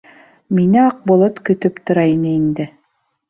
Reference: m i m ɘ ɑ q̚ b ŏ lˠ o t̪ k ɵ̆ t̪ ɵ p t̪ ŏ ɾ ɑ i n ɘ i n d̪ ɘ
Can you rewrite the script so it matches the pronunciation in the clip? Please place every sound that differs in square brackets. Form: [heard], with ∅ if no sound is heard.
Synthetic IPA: m i [n] ɘ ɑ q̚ b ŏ lˠ o t̪ k ɵ̆ t̪ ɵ p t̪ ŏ ɾ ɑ i n ɘ i n d̪ ɘ